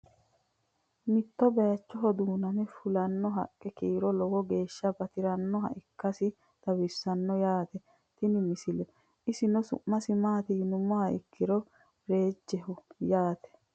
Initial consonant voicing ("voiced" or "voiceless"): voiced